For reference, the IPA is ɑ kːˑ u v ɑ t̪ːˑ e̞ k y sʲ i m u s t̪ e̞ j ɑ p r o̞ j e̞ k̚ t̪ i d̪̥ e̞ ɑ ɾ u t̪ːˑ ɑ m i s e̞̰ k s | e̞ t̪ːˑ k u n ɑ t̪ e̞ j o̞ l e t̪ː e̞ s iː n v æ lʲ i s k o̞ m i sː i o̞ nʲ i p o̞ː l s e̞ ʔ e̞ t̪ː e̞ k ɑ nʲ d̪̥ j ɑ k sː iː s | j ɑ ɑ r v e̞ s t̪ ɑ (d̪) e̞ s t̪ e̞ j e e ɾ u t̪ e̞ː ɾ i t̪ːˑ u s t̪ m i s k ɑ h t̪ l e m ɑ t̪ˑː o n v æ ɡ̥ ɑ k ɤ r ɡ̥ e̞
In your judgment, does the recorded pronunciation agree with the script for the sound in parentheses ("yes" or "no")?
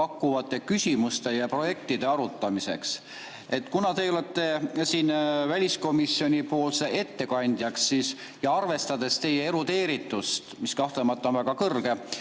yes